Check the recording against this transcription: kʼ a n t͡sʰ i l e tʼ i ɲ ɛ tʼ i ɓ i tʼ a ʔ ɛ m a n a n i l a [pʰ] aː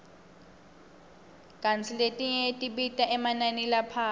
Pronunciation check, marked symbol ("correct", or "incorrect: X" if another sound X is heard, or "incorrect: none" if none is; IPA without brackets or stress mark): correct